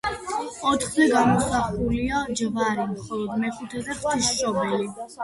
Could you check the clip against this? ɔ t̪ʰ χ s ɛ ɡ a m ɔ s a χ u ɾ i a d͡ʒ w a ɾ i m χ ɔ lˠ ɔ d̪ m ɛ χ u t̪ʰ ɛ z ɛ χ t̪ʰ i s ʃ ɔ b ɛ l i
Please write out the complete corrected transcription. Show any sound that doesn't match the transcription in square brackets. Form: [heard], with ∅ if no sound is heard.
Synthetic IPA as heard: ɔ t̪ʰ χ [z] ɛ ɡ a m ɔ s a χ u [l] i a d͡ʒ [v] a ɾ i m χ ɔ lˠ ɔ d̪ m ɛ χ u t̪ʰ ɛ z ɛ χ t̪ʰ i s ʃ ɔ b ɛ l i

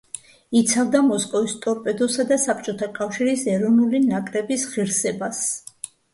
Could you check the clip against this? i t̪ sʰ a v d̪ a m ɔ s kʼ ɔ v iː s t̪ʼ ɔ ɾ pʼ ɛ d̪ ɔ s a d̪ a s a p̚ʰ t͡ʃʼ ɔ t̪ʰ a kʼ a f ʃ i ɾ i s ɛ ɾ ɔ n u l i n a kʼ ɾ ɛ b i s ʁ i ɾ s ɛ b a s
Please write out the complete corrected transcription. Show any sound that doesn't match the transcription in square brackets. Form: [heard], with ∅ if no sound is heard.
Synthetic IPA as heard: i t̪ sʰ a v d̪ a m ɔ s kʼ ɔ v [i] s t̪ʼ ɔ ɾ pʼ ɛ d̪ ɔ s a d̪ a s a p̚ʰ t͡ʃʼ ɔ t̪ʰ a kʼ a f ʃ i ɾ i s ɛ ɾ ɔ n u l i n a kʼ ɾ ɛ b i s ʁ i ɾ s ɛ b a s

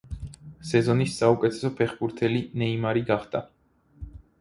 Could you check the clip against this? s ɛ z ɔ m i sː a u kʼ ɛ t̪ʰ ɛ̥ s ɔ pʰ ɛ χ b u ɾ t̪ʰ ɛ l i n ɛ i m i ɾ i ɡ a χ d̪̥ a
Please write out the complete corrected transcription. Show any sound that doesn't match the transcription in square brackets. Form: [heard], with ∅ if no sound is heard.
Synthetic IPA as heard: s ɛ z ɔ [n] i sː a u kʼ ɛ t̪ʰ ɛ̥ s ɔ pʰ ɛ χ b u ɾ t̪ʰ ɛ l i n ɛ i m [a] ɾ i ɡ a χ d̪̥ a

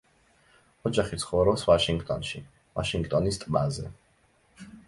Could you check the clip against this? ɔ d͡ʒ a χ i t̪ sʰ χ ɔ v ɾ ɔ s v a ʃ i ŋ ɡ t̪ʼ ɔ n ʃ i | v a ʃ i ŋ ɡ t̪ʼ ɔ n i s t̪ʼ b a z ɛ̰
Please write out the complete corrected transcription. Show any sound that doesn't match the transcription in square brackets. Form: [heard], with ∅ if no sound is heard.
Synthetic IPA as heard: ɔ d͡ʒ a χ i t̪ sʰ χ ɔ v ɾ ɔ s v a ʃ i ŋ ɡ t̪ʼ ɔ n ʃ i | v a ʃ i ŋ ɡ t̪ʼ ɔ n i s t̪ʼ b a z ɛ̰

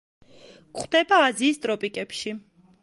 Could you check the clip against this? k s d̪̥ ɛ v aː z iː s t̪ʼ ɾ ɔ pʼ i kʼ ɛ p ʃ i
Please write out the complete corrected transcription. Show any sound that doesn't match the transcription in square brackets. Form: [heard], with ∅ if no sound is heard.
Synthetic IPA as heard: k [χ] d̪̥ ɛ [b] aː z iː s t̪ʼ ɾ ɔ pʼ i kʼ ɛ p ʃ i

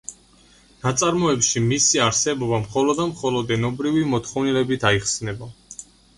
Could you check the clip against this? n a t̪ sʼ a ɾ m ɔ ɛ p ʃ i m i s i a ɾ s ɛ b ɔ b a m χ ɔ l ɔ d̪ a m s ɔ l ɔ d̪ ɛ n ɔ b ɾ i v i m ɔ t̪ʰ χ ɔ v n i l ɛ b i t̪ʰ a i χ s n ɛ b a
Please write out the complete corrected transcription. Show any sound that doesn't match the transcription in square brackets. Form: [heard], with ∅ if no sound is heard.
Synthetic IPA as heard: n a t̪ sʼ a ɾ m ɔ ɛ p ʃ i m i s i a ɾ s ɛ b ɔ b a m χ ɔ l ɔ d̪ a m [χ] ɔ l ɔ d̪ ɛ n ɔ b ɾ i v i m ɔ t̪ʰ χ ɔ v n i l ɛ b i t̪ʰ a i χ s n ɛ b a

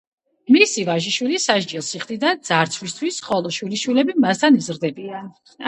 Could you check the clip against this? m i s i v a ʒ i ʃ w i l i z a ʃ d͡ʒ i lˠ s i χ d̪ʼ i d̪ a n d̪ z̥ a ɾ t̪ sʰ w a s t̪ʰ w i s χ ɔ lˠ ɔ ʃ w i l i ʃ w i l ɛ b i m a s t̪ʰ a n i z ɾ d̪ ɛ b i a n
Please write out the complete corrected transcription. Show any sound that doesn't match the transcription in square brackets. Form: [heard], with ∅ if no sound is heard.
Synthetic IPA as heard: m i s i v a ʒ i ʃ w i l i [s] a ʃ d͡ʒ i lˠ s i χ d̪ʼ i d̪ a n d̪ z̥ a ɾ t̪ sʰ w [i] s t̪ʰ w i s χ ɔ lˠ ɔ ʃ w i l i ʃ w i l ɛ b i m a s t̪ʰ a n i z ɾ d̪ ɛ b i a n

